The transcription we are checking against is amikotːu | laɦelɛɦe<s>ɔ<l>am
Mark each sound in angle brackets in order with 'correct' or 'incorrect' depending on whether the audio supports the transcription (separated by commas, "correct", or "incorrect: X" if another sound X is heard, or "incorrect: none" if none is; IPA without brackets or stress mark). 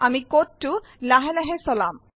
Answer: correct, correct